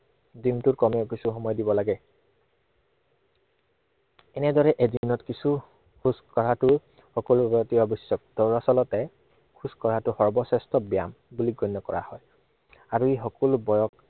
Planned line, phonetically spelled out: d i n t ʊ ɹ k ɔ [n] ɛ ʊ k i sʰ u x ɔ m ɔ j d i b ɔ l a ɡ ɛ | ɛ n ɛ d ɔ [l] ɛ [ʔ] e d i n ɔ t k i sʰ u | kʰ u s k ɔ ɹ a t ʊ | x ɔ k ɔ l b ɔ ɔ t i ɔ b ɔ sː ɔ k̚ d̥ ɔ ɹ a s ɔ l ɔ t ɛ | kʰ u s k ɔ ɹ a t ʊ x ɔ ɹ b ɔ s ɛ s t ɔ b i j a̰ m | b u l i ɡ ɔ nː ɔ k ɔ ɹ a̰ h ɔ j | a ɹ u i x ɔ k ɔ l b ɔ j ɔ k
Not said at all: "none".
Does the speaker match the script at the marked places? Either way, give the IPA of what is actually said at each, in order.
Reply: m, ɹ, ʔ

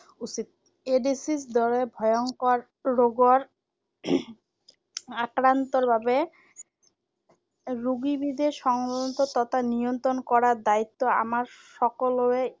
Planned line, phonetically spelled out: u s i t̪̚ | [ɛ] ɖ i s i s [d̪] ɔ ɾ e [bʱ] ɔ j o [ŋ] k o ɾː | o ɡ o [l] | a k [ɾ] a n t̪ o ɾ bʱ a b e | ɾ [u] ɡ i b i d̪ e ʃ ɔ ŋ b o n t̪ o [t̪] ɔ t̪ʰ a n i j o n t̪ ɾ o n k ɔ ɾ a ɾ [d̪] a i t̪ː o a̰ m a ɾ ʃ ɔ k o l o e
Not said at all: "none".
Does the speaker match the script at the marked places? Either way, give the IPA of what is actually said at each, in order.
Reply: e, d̪, bʱ, ŋ, ɾ, ɾ, u, t̪, d̪

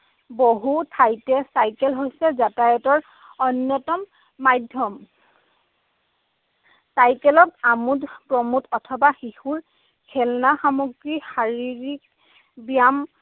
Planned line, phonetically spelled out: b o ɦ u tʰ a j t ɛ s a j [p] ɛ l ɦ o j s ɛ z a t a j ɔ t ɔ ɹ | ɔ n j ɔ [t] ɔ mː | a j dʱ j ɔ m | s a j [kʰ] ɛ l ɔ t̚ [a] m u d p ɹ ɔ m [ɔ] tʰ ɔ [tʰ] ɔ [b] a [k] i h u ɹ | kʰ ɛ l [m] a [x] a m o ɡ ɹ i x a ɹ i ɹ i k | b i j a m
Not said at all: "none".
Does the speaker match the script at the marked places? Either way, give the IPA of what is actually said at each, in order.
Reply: k, t, k, a, u, tʰ, b, x, n, x

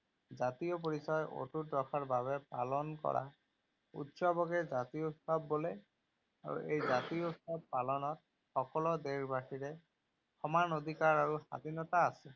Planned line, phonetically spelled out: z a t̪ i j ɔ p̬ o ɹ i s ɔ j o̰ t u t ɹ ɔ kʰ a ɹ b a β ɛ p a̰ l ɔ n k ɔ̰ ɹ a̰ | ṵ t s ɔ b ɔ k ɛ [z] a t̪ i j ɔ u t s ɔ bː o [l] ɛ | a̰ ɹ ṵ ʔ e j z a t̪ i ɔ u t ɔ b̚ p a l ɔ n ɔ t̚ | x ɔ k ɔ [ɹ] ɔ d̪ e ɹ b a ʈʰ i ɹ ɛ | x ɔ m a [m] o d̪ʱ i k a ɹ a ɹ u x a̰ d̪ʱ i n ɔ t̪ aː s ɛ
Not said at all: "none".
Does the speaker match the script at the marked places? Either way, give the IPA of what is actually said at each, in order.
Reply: z, l, l, n

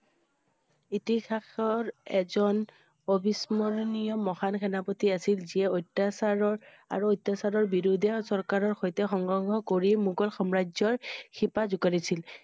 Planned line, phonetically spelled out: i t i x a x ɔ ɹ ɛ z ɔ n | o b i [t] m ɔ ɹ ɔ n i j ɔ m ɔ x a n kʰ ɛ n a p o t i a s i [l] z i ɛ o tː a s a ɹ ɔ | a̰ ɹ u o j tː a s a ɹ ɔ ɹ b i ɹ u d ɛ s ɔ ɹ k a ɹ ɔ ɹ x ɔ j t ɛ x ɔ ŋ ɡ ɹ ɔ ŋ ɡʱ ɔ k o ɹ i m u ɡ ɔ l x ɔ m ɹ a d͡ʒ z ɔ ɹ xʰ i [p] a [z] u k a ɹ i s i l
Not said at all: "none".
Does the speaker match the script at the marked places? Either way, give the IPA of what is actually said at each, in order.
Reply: s, l, p, z

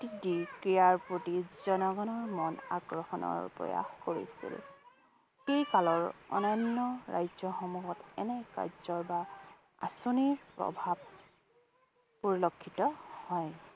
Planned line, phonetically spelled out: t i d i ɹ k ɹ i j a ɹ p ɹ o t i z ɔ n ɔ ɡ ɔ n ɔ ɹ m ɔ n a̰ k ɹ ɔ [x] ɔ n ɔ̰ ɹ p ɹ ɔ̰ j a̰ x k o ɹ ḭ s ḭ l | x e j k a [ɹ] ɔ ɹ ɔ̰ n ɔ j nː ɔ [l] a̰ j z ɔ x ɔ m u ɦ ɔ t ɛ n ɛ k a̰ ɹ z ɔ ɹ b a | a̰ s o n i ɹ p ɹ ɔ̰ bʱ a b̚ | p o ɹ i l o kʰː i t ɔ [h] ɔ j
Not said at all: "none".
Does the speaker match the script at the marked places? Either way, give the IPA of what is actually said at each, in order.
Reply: x, l, ɹ, h

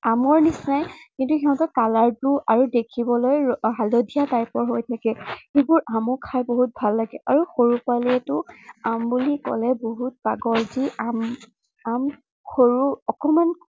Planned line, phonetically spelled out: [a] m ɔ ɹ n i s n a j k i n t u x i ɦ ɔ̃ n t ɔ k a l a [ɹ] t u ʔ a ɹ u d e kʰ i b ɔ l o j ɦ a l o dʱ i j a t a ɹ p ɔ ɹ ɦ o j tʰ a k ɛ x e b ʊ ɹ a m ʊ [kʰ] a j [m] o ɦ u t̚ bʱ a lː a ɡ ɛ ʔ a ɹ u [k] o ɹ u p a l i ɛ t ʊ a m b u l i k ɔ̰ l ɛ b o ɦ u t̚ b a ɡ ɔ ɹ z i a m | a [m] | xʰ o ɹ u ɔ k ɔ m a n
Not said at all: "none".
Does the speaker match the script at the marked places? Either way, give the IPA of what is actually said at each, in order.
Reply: a, ɹ, kʰ, b, x, m

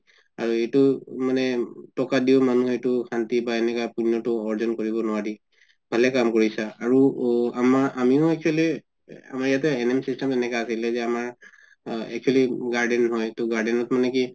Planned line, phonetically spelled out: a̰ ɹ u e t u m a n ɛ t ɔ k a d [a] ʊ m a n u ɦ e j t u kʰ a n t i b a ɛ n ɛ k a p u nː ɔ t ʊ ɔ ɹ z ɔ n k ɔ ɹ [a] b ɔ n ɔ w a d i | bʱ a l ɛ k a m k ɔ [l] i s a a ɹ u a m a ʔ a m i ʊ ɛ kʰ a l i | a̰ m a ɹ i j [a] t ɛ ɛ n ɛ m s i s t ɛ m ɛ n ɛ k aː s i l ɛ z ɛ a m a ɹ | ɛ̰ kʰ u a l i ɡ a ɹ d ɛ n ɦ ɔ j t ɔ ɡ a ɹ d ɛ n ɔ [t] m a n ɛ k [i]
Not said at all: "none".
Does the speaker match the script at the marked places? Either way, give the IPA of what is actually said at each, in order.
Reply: i, i, ɹ, a, t, i

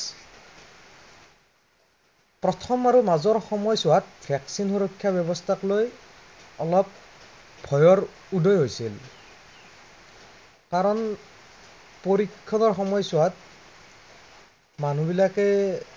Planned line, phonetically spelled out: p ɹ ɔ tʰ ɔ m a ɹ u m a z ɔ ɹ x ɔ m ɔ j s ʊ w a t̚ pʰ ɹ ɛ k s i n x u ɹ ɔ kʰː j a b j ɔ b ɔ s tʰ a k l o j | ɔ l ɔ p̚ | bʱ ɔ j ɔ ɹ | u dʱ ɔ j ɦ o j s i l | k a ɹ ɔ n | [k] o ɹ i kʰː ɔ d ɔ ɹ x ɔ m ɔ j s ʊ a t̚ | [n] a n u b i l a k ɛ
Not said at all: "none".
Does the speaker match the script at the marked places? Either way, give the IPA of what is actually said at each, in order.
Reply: p, m

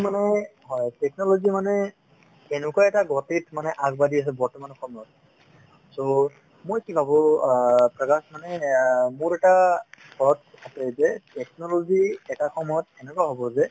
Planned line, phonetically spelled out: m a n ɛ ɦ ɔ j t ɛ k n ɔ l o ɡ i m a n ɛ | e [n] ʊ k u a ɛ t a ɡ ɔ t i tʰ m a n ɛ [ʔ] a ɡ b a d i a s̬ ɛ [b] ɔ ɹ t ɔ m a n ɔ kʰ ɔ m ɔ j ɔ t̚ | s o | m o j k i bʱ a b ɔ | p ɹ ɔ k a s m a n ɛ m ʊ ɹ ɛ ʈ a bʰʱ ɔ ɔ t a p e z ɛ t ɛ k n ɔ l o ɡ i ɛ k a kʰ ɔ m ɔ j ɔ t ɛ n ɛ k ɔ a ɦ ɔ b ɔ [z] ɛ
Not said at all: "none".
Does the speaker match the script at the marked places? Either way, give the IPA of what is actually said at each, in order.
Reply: n, ʔ, b, z

